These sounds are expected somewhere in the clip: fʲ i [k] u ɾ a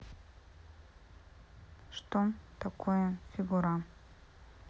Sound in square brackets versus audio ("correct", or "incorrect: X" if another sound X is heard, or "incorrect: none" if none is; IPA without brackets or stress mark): incorrect: ɡ